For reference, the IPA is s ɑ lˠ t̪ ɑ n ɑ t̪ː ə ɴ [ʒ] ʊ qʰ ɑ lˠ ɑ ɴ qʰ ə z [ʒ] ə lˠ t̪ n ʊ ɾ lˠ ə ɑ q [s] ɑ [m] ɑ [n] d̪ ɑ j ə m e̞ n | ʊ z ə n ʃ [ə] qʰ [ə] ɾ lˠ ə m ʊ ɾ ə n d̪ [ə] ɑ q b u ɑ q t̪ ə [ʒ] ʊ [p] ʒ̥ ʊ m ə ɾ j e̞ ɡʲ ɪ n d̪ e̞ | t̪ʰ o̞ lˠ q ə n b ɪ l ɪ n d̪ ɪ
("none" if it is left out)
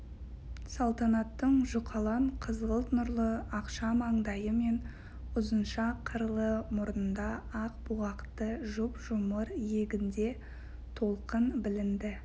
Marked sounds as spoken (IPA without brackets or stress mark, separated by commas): ʒ, ʁ, ʃ, m, ɴ, ɑ, ə, ɑ, ʒ, p